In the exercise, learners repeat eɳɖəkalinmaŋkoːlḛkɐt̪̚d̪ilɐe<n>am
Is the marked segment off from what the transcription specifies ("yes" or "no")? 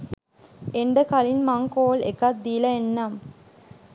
yes